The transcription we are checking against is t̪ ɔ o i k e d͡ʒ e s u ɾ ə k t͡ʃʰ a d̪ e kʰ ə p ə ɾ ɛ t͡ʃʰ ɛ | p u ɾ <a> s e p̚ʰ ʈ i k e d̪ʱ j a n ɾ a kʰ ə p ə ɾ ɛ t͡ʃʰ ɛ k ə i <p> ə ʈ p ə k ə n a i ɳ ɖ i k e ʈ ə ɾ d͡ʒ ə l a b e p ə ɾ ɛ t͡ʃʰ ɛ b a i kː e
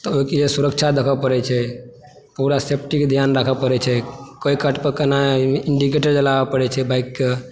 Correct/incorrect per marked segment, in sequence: correct, incorrect: k

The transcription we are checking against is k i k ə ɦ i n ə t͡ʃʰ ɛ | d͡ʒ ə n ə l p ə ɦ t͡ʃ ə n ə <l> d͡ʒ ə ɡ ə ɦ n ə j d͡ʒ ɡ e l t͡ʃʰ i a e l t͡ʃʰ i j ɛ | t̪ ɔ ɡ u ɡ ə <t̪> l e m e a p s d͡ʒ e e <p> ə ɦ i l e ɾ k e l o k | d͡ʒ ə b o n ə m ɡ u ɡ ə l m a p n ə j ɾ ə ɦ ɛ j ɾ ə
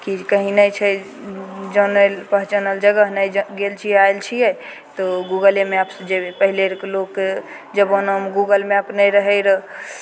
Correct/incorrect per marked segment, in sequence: correct, incorrect: none, correct

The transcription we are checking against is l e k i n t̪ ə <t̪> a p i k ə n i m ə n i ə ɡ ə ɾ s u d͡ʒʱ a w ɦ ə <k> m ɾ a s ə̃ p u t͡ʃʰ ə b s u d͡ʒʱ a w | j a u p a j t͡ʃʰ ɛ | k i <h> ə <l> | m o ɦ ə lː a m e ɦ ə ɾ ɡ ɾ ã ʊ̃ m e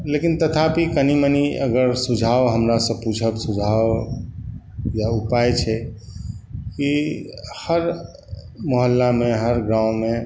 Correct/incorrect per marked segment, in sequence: incorrect: t̪ʰ, incorrect: none, correct, incorrect: ɾ

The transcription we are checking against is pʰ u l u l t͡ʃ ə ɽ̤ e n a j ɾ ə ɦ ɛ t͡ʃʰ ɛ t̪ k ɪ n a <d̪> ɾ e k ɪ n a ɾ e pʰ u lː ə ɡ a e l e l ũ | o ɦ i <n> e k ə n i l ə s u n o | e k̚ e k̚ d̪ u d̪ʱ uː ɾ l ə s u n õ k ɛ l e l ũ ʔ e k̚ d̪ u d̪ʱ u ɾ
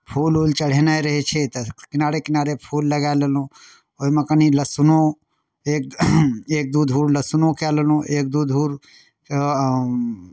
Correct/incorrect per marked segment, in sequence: incorrect: none, incorrect: m

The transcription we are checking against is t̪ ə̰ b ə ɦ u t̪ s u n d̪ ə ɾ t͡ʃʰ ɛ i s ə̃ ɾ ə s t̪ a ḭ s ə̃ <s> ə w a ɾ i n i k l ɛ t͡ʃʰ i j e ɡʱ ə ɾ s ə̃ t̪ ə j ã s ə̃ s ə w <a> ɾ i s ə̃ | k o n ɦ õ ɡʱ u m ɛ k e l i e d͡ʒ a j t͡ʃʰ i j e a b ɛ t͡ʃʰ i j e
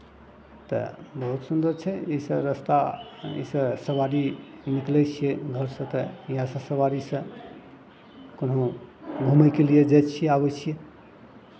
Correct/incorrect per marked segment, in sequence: correct, correct

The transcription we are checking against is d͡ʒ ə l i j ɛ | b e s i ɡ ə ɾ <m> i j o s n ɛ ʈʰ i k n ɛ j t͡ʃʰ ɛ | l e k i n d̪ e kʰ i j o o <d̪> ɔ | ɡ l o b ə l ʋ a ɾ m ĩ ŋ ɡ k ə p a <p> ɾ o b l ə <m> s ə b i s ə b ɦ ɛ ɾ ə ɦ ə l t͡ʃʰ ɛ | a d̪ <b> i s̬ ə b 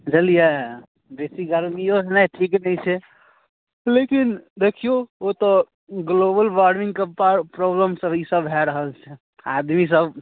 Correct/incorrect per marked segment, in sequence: correct, incorrect: t̪, correct, correct, incorrect: m

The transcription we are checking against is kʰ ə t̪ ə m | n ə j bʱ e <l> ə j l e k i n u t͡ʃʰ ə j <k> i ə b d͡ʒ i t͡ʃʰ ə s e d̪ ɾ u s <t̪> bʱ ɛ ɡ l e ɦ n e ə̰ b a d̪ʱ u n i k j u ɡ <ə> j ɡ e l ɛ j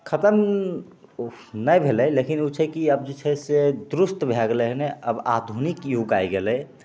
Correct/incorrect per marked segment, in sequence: correct, correct, correct, incorrect: a

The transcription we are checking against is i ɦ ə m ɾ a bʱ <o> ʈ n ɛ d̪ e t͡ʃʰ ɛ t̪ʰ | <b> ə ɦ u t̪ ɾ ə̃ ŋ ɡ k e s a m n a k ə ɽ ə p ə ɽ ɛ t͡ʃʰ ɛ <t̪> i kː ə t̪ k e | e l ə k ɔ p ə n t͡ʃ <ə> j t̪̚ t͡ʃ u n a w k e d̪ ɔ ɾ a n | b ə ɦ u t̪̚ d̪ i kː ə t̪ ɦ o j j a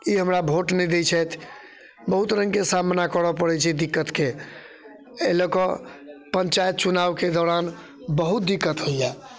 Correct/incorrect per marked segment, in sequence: correct, correct, incorrect: d̪, incorrect: a

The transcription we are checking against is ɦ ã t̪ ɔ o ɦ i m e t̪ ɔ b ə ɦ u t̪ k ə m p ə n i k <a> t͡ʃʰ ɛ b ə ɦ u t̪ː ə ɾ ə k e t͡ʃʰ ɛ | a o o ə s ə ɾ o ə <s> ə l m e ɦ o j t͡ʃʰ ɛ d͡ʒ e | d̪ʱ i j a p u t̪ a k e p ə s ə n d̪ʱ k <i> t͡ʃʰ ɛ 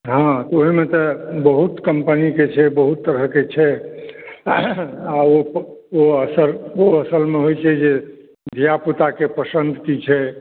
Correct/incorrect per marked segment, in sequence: incorrect: e, correct, correct

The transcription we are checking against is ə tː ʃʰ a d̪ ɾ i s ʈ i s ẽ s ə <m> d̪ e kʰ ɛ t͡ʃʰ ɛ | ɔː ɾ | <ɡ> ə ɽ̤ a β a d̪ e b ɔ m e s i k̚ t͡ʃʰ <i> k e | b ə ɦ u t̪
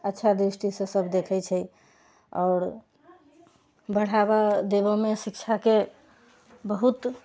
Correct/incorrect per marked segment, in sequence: incorrect: b, incorrect: b, incorrect: a

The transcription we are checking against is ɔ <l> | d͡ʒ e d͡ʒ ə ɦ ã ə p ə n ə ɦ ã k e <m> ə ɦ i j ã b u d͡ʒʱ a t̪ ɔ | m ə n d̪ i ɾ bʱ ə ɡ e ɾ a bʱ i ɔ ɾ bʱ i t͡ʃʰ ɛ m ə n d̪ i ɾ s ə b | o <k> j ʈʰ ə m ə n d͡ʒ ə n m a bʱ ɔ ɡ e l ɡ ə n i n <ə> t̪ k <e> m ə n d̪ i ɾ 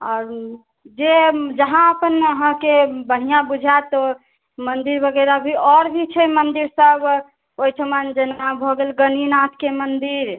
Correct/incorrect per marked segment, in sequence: incorrect: ɾ, incorrect: b, incorrect: none, incorrect: a, correct

